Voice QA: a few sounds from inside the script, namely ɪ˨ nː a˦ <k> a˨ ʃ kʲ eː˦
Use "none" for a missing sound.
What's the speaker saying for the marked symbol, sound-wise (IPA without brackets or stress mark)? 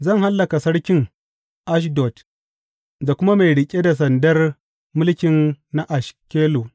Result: ʔ